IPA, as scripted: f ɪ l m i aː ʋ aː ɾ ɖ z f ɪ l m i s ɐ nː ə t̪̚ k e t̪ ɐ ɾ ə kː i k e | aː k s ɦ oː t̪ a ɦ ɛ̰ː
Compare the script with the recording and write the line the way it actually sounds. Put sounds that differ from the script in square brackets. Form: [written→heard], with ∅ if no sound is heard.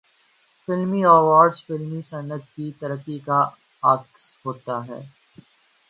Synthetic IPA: f ɪ l m i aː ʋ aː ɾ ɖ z f ɪ l m i s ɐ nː ə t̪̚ k [e→i] t̪ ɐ ɾ ə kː i k [e→a] | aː k s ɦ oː t̪ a ɦ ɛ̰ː